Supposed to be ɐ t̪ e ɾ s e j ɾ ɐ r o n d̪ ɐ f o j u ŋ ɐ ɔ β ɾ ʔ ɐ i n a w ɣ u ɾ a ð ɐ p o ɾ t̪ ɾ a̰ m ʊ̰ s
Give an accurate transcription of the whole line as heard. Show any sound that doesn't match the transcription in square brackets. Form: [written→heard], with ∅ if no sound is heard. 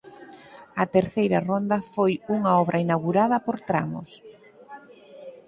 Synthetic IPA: ɐ t̪ e ɾ [s→θ] e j ɾ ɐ r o n d̪ ɐ f o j u ŋ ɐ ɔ β ɾ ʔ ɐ i n a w ɣ u ɾ a ð ɐ p o ɾ t̪ ɾ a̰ m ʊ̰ s